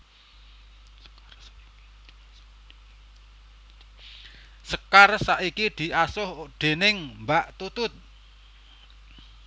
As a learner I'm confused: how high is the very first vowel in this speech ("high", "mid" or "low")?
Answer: mid